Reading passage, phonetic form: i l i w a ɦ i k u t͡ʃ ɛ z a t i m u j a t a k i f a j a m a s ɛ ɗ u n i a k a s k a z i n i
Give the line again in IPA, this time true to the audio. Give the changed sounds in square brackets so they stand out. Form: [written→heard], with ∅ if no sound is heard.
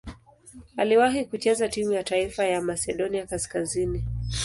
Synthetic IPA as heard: [i→a] l i w a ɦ i k u t͡ʃ ɛ z a t i m u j a t a [k→∅] i f a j a m a s ɛ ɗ [u→ɔ] n i a k a s k a z i n i

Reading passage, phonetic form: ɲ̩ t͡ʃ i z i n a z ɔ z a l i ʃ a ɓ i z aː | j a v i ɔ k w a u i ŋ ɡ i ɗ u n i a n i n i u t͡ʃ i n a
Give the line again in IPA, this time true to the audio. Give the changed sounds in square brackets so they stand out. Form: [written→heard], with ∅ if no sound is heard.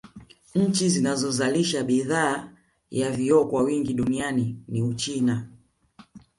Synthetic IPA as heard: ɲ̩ t͡ʃ i z i n a z ɔ z a l i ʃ a ɓ i [z→ð] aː | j a v i ɔ k w a [u→w] i ŋ ɡ i ɗ u n i a n i n i u t͡ʃ i n a

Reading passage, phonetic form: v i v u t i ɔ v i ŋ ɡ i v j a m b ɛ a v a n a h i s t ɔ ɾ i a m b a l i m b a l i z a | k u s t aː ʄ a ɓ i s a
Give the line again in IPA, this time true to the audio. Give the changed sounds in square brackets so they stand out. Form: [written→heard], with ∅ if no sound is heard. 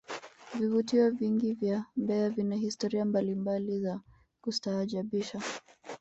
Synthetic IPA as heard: v i v u t i ɔ v i ŋ ɡ i v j a m b ɛ a v [a→i] n a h i s t ɔ ɾ i a m b a l i m b a l i z a | k u s t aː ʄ a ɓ i [s→ʃ] a

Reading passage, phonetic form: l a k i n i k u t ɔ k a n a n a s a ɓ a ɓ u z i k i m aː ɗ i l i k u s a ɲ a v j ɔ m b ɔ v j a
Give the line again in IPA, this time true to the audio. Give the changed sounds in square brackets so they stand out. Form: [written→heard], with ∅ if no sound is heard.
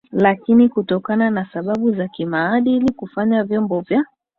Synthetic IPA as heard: l a k i n i k u t ɔ k a n a n a s a ɓ a ɓ u z [i→a] k i m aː ɗ i l i k u [s→f] a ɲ a v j ɔ m b ɔ v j a

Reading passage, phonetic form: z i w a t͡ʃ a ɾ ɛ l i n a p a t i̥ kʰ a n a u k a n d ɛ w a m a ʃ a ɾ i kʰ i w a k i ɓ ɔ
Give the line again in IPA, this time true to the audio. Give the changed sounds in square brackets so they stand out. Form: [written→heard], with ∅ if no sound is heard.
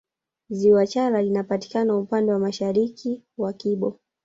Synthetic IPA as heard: z i w a t͡ʃ a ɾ [ɛ→a] l i n a p a t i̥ [kʰ→k] a n a u [k→p] a n d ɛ w a m a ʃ a ɾ i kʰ i w a k i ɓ ɔ

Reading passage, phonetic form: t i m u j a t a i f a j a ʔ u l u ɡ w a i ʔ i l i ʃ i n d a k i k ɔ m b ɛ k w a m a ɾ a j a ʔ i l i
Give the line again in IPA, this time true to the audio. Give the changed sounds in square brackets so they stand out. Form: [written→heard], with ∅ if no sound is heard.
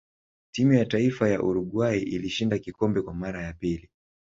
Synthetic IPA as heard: t i m u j a t a i f a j a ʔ u [l→ɾ] u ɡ w a i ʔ i l i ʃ i n d a k i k ɔ m b ɛ k w a m a ɾ a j a [ʔ→p] i l i

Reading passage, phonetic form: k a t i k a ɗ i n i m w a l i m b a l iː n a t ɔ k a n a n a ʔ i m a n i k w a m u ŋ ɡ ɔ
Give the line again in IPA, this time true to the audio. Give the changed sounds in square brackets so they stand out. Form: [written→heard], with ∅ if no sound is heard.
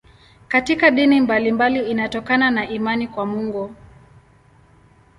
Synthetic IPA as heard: k a t i k a ɗ i n i m [w→b] a l i m b a l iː n a t ɔ k a n a n a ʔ i m a n i k w a m u ŋ ɡ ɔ

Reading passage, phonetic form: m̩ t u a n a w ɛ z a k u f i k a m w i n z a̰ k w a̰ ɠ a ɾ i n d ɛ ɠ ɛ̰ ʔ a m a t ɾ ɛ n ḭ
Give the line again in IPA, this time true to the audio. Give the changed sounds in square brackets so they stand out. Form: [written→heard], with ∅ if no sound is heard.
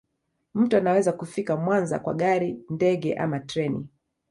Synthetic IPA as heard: m̩ t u a n a w ɛ z a k u f i k a m w [i→a] n z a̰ k w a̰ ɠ a ɾ i n d ɛ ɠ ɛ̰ ʔ a m a t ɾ ɛ n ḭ

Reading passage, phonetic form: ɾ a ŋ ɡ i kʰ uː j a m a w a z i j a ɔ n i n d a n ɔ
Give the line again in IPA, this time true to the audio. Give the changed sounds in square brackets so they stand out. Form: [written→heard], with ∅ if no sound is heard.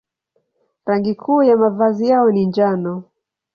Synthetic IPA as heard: ɾ a ŋ ɡ i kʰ uː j a m a [w→v] a z i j a ɔ n i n [d→d͡ʒ] a n ɔ

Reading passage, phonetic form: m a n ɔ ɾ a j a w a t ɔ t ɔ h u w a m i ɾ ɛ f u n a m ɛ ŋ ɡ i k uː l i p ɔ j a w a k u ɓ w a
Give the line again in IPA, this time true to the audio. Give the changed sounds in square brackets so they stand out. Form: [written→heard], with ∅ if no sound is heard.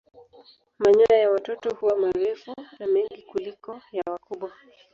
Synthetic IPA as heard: m a [n→ɲ] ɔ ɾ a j a w a t ɔ t ɔ h u w a m [i→a] ɾ ɛ f u n a m ɛ ŋ ɡ i k [uː→u] l i [p→k] ɔ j a w a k u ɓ w a

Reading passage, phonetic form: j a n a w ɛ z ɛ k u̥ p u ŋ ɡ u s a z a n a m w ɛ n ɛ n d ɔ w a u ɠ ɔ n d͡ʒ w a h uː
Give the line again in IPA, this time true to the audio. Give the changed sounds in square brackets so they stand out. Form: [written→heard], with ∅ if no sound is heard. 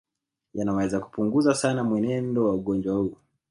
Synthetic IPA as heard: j a n a w ɛ z [ɛ→a] k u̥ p u ŋ ɡ u [s→z] a [z→s] a n a m w ɛ n ɛ n d ɔ w a u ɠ ɔ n d͡ʒ w a h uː

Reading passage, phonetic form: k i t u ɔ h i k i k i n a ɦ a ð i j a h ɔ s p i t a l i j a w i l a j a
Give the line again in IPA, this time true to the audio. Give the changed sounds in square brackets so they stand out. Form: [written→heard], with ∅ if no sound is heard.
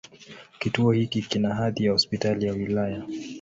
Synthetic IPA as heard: k i t u ɔ h i k i k i n a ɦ a ð i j a h ɔ s p i t a l i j a w i l a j a

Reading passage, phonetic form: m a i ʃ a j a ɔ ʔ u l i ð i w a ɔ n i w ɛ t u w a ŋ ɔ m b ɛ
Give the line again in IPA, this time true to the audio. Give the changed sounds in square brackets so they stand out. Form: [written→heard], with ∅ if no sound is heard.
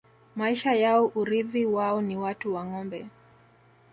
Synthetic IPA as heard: m a i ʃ a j a ɔ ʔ u [l→ɾ] i ð i w a ɔ n i w [ɛ→a] t u w a ŋ ɔ m b ɛ

